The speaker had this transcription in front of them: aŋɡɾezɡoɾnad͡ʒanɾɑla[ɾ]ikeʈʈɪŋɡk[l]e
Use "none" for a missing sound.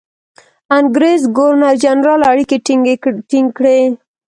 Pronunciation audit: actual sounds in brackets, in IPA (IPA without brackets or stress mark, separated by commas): ɽ, ɽ